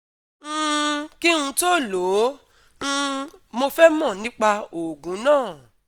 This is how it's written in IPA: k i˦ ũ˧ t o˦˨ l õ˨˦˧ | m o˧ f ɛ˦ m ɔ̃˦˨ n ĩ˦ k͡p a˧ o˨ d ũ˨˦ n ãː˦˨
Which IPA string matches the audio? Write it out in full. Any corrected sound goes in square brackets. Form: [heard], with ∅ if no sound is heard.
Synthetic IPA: k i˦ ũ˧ t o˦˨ l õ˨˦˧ | m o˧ f ɛ˦ m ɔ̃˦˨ n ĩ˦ k͡p a˧ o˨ [ɡ] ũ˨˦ n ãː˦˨